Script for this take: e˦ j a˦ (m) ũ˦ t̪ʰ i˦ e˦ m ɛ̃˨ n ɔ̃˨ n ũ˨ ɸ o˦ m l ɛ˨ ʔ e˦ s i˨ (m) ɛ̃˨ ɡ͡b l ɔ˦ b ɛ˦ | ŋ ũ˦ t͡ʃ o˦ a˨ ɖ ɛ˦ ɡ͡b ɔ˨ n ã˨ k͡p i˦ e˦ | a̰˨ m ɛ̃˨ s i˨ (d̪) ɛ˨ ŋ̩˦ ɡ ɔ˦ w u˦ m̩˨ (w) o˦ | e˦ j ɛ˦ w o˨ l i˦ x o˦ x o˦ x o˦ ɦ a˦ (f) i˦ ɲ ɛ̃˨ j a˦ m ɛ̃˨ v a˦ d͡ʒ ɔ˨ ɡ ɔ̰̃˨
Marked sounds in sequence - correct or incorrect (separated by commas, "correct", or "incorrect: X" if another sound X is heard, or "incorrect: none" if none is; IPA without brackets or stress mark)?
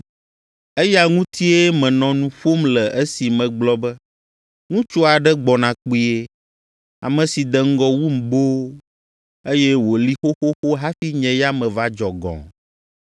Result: incorrect: ŋ, correct, correct, incorrect: b, correct